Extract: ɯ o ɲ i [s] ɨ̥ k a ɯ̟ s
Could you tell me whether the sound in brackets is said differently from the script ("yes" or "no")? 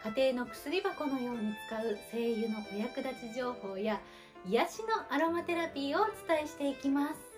yes